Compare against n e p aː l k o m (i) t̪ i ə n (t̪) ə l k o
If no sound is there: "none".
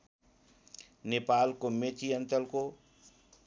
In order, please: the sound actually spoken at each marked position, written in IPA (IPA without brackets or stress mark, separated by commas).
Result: e, t̪